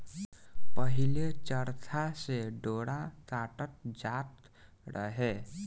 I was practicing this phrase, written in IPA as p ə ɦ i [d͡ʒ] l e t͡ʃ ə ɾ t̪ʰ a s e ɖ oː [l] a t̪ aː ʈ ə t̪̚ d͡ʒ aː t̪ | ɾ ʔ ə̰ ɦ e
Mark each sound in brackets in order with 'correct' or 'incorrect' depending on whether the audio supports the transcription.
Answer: incorrect, incorrect

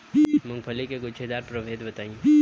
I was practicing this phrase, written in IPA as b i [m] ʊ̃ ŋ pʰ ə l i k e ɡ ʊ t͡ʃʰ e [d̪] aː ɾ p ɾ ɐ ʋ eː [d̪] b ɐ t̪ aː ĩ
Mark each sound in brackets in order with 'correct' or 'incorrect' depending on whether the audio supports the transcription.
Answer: correct, correct, correct

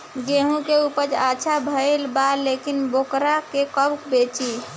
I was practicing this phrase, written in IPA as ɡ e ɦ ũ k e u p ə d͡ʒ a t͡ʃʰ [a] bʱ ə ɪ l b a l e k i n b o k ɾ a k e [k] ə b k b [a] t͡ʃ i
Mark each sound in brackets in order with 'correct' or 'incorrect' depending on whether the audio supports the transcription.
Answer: correct, correct, incorrect

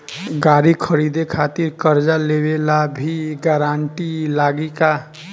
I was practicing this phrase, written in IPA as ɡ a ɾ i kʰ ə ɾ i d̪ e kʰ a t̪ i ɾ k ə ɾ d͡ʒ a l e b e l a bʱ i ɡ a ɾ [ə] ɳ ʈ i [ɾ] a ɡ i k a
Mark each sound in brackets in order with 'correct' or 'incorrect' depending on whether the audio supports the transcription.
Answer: incorrect, incorrect

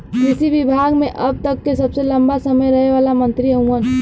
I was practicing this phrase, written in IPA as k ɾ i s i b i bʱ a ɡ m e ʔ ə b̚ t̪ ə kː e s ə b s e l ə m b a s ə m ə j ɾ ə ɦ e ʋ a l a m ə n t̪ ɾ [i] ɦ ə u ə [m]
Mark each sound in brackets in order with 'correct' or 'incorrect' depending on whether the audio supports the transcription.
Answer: correct, incorrect

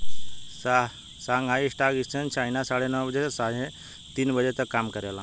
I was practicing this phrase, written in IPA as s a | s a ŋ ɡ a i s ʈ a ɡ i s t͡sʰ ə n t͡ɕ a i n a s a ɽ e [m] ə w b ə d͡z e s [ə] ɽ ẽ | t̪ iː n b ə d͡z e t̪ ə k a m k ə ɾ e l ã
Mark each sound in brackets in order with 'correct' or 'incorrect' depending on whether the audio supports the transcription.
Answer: incorrect, incorrect

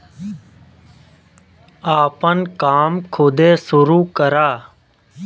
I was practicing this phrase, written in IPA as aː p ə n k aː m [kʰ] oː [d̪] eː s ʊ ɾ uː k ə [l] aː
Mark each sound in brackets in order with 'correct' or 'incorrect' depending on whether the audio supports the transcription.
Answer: correct, correct, incorrect

